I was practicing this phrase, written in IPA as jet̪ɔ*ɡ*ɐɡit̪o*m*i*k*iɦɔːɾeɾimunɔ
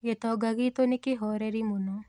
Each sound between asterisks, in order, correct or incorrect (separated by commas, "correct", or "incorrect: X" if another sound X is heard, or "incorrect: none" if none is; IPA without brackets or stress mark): correct, incorrect: n, correct